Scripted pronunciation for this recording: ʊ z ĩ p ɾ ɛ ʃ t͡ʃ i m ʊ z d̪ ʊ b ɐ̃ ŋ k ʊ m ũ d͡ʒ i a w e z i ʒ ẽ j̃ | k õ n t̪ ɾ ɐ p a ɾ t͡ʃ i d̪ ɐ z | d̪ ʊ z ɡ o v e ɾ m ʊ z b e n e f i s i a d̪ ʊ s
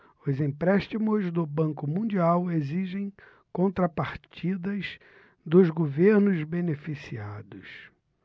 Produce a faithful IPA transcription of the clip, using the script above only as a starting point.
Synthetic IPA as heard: ʊ z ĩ p ɾ ɛ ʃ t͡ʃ i m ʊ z d̪ ʊ b ɐ̃ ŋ k ʊ m ũ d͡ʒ i a w e z i ʒ ẽ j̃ | k õ n t̪ ɾ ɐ p a ɾ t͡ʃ i d̪ ɐ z | d̪ ʊ z ɡ o v e ɾ n ʊ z b e n e f i s i a d̪ ʊ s

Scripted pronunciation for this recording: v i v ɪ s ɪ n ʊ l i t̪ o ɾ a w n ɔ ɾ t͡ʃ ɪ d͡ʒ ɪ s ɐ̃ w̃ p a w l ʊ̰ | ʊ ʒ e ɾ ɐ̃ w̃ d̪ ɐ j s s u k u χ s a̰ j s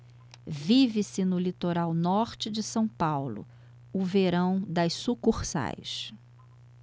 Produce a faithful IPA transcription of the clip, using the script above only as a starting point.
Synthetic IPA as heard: v i v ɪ s ɪ n ʊ l i t̪ o ɾ a w n ɔ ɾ t͡ʃ ɪ d͡ʒ ɪ s ɐ̃ w̃ p a w l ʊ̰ | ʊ v e ɾ ɐ̃ w̃ d̪ ɐ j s s u k u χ s a̰ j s

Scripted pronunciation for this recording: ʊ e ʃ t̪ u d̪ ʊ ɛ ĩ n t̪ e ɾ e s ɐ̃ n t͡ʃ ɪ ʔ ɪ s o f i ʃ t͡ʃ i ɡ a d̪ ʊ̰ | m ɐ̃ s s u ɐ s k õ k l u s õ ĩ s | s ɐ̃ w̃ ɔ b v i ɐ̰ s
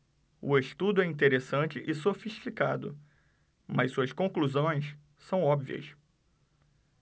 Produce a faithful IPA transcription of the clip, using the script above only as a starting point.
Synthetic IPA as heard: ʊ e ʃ t̪ u d̪ ʊ ɛ ĩ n t̪ e ɾ e s ɐ̃ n t͡ʃ ɪ ʔ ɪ s o f i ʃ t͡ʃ i k a d̪ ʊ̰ | m ɐ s s u ɐ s k õ k l u z õ j̃ s | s ɐ̃ w̃ ɔ b v i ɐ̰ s

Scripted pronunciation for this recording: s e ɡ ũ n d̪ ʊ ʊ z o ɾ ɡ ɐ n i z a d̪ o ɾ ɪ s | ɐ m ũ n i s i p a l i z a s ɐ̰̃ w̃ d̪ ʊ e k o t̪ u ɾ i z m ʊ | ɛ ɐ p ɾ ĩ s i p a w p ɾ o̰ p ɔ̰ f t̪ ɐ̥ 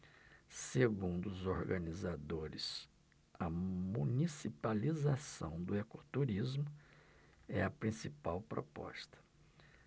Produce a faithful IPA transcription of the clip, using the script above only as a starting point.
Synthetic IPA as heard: s e ɡ ũ n d̪ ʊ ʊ z o ɾ ɡ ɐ n i z a d̪ o ɾ ɪ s | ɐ m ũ n i s i p a l i z a s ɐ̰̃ w̃ d̪ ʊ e k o t̪ u ɾ i z m ʊ | ɛ ɐ p ɾ ĩ s i p a w p ɾ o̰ p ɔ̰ s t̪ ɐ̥

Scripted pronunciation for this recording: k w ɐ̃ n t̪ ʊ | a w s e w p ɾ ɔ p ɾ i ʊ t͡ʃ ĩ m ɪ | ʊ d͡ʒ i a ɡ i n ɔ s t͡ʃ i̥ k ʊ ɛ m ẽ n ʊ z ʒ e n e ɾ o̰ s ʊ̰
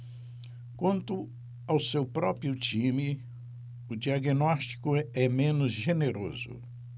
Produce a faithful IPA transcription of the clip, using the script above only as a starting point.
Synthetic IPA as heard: k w ɐ̃ n t̪ ʊ | a w s e w p ɾ ɔ p ɾ i ʊ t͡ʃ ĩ m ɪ | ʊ d͡ʒ i a ɡ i n ɔ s t͡ʃ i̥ k ʊ ɛ m ẽ n ʊ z ʒ e n e ɾ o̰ z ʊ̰

